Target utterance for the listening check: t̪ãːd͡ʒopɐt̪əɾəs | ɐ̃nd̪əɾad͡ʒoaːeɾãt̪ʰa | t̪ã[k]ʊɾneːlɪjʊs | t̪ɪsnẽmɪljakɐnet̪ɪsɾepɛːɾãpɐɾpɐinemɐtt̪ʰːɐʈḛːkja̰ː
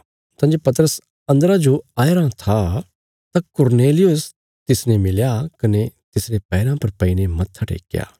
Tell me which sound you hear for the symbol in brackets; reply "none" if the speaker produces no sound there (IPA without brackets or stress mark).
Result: k